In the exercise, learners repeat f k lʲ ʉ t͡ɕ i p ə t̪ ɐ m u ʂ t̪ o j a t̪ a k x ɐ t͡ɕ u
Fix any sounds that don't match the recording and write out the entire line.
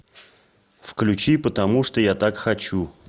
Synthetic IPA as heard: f k lʲ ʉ t͡ɕ i p ə t̪ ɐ m u ʂ t̪ o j a t̪ a k x ɐ t͡ɕ u